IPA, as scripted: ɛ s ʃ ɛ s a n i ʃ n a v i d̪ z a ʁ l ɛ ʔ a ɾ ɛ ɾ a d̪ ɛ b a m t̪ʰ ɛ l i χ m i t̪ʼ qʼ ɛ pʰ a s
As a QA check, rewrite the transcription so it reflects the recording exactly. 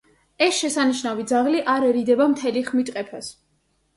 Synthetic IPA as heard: ɛ s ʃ ɛ s a n i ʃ n a v i d̪ z a ʁ l i ʔ a ɾ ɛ ɾ i d̪ ɛ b a m t̪ʰ ɛ l i χ m i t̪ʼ qʼ ɛ pʰ a s

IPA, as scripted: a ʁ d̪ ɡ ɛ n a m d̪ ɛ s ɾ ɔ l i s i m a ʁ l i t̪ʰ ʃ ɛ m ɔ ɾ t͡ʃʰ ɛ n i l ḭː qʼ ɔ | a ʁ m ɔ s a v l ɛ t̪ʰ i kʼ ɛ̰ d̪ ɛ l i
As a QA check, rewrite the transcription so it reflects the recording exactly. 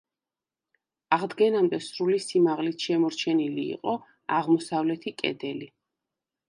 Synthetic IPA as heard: a ʁ d̪ ɡ ɛ n a m d̪ ɛ s ɾ u l i s i m a ʁ l i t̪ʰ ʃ ɛ m ɔ ɾ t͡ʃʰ ɛ n i l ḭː qʼ ɔ | a ʁ m ɔ s a v l ɛ t̪ʰ i kʼ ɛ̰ d̪ ɛ l i

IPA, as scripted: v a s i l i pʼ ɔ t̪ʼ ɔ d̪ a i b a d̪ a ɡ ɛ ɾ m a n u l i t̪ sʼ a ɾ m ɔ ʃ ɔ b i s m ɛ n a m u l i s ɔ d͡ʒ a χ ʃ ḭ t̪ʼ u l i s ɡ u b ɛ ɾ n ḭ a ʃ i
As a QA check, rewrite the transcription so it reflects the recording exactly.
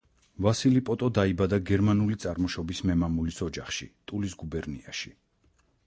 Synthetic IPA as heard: v a s i l i pʼ ɔ t̪ʼ ɔ d̪ a i b a d̪ a ɡ ɛ ɾ m a n u l i t̪ sʼ a ɾ m ɔ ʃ ɔ b i s m ɛ m a m u l i s ɔ d͡ʒ a χ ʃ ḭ t̪ʼ u l i s ɡ u b ɛ ɾ n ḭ a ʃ i

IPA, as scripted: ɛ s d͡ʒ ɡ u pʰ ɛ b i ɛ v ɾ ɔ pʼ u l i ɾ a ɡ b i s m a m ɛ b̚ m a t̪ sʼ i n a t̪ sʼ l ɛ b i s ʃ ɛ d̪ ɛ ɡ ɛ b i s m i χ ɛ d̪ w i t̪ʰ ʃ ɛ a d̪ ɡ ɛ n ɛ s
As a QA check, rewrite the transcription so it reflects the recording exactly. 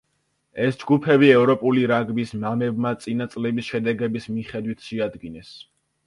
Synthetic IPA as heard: ɛ s d͡ʒ ɡ u pʰ ɛ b i ɛ v ɾ ɔ pʼ u l i ɾ a ɡ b i s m a m ɛ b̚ m a t̪ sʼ i n a t̪ sʼ l ɛ b i s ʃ ɛ d̪ ɛ ɡ ɛ b i s m i χ ɛ d̪ w i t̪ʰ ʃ ɛ a d̪ ɡ i n ɛ s

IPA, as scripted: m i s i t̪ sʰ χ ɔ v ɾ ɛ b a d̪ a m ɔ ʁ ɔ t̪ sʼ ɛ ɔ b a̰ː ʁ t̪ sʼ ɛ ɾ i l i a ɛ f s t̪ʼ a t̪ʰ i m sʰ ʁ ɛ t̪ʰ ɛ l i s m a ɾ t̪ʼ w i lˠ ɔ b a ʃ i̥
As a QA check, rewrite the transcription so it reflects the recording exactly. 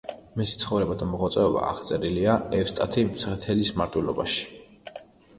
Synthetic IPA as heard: m i s i t̪ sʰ χ ɔ v ɾ ɛ b a d̪ a m ɔ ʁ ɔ t̪ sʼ ɛ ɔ b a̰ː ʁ t̪ sʼ ɛ ɾ i l i a ɛ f s t̪ʼ a t̪ʰ i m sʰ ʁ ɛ t̪ʰ ɛ l i s m a ɾ t̪ʼ w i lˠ ɔ b a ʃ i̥

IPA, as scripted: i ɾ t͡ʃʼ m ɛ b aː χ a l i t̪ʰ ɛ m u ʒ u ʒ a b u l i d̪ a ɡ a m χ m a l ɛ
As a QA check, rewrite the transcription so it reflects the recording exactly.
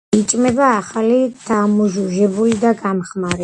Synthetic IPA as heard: i t͡ʃʼ m ɛ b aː χ a l i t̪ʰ a m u ʒ u ʒ ɛ b u l i d̪ a ɡ a m χ m a ɾ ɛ

